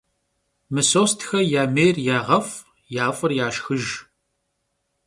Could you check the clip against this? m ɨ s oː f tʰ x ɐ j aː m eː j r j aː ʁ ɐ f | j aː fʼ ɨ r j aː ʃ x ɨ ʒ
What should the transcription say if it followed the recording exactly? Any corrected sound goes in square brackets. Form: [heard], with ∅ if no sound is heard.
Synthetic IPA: m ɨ s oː [s] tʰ x ɐ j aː m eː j r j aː ʁ ɐ f | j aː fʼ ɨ r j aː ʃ x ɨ ʒ